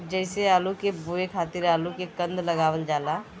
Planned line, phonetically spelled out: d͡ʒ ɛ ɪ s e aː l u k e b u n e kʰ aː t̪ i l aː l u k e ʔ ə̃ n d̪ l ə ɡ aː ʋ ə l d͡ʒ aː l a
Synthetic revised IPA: d͡ʒ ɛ ɪ s e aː l u k e b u e kʰ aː t̪ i ɾ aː l u k e k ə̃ n d̪ l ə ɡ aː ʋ ə l d͡ʒ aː l a